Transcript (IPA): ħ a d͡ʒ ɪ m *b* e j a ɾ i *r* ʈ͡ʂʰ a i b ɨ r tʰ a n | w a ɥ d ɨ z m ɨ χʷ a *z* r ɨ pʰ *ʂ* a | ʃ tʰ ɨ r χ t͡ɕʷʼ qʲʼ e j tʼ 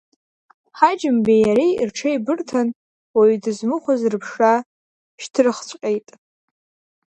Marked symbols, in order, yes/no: yes, yes, yes, yes

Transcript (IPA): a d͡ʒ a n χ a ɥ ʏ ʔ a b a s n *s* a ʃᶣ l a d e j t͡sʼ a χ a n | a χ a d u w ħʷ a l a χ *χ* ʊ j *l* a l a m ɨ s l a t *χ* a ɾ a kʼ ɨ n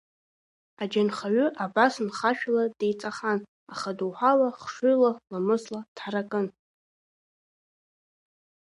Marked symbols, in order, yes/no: no, no, yes, no

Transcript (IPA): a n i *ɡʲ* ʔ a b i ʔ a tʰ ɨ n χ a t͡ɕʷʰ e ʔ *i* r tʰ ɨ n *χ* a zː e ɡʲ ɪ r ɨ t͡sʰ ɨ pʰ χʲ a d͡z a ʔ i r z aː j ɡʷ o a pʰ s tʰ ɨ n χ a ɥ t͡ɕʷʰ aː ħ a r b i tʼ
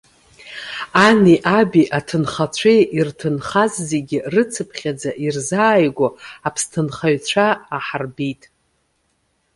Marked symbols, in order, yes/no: no, yes, yes

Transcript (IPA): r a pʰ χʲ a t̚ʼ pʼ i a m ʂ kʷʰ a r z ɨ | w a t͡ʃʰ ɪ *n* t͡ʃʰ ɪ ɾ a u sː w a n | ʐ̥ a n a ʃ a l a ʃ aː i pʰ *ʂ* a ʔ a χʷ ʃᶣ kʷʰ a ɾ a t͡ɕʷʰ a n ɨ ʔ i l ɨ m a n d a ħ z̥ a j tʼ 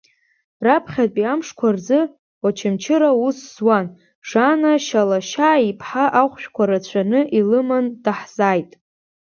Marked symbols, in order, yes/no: no, no

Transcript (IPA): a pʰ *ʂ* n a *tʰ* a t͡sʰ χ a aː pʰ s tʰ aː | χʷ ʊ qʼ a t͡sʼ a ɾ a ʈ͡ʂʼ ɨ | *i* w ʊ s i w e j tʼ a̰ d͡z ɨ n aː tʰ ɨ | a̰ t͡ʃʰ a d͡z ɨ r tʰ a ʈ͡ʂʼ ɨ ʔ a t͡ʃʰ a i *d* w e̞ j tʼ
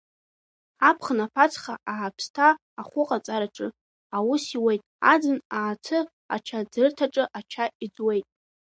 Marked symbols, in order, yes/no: no, no, no, no

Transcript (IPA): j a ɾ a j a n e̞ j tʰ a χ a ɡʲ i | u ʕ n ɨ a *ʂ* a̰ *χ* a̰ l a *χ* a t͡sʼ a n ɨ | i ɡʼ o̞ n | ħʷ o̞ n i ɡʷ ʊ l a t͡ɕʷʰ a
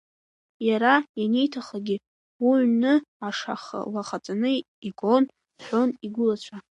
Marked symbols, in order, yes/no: yes, yes, yes

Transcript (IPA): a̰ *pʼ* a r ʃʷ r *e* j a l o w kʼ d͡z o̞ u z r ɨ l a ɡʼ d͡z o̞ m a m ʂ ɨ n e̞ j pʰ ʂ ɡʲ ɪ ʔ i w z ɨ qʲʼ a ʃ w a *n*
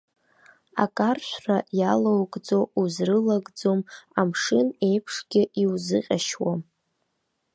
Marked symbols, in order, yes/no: no, no, no

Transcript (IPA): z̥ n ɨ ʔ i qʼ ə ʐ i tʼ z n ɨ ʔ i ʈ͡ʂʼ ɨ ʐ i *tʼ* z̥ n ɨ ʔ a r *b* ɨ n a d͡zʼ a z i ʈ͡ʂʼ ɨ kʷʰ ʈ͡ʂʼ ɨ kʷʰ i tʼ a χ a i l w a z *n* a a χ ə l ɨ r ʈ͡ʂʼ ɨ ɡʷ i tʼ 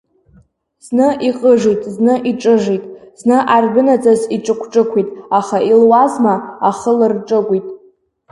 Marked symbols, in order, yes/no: yes, yes, no

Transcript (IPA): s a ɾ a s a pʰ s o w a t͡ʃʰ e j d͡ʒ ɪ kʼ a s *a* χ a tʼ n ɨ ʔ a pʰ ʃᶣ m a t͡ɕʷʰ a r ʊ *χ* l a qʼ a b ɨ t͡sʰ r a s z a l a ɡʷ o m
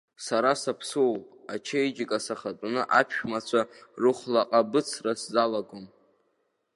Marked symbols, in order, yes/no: yes, yes

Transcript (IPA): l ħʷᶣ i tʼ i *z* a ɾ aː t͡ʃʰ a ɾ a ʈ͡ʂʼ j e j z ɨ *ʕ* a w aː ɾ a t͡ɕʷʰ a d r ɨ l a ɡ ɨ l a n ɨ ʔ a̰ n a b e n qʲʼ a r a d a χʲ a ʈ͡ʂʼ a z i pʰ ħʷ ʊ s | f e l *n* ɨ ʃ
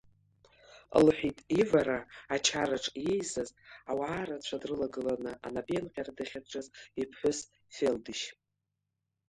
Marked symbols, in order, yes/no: no, no, no

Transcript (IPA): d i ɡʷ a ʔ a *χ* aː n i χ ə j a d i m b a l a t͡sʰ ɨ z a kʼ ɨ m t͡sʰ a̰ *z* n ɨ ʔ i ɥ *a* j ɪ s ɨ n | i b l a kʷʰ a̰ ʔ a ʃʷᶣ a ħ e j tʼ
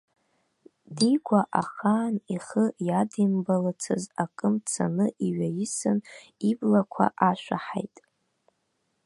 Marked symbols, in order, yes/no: yes, no, yes

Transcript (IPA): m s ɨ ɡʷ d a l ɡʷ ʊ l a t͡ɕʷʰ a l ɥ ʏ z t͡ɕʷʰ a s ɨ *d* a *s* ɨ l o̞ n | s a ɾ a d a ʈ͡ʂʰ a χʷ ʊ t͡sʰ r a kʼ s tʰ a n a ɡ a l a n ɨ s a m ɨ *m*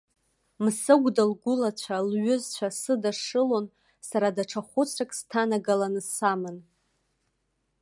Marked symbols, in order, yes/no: yes, no, no

